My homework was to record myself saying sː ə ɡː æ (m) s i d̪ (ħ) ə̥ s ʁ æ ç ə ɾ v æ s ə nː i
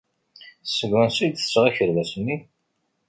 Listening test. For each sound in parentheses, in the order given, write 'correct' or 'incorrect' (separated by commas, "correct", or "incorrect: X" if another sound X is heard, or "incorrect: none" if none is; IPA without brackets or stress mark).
incorrect: n, incorrect: θ